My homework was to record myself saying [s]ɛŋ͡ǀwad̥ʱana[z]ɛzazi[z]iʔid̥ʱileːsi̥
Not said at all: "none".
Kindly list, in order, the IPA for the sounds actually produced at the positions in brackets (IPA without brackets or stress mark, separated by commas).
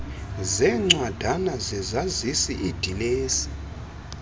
z, z, s